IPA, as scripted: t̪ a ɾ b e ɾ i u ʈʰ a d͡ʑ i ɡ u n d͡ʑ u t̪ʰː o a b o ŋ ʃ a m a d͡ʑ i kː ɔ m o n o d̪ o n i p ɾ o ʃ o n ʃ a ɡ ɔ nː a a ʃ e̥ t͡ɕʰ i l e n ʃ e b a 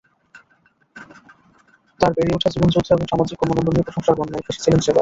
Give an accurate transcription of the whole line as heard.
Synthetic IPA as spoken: t̪ a ɾ b e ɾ i u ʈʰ a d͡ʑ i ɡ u n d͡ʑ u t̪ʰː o e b o ŋ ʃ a m a d͡ʑ i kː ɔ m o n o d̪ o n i p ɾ o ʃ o ŋ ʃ a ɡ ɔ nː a e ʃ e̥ t͡ɕʰ i l e n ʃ e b a

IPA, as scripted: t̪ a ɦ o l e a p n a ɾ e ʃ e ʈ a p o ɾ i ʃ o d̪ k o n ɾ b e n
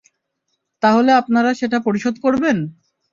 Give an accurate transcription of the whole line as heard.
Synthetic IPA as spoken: t̪ a ɦ o l e a p n a ɾ a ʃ e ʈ a p o ɾ i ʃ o d̪ k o ɾ b e n

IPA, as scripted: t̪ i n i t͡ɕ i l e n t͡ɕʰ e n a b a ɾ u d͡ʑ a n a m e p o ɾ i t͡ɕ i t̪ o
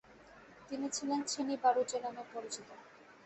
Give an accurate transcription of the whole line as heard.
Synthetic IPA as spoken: t̪ i n i t͡ɕʰ i l e n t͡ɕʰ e n i b a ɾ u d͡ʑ e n a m e p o ɾ i t͡ɕ i t̪ o

